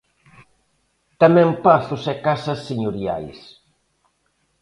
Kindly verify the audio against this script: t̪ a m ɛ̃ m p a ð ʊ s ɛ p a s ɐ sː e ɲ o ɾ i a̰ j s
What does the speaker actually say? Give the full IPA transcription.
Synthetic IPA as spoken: t̪ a m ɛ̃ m p a θ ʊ s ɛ k a s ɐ sː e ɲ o ɾ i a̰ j s